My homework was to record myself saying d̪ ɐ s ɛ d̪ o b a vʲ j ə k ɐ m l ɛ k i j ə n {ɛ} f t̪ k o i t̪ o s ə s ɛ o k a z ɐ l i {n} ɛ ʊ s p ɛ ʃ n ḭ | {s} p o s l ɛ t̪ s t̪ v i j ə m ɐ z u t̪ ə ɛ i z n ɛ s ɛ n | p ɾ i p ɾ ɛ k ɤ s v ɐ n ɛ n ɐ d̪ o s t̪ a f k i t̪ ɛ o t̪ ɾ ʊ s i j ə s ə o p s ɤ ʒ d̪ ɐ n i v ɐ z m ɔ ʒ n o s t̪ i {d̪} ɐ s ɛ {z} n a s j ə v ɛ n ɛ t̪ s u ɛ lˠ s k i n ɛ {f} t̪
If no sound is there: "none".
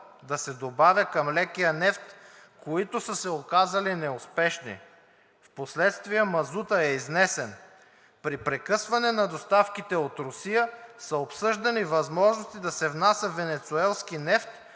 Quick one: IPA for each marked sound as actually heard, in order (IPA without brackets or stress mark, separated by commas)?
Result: ɛ, n, f, d̪, v, f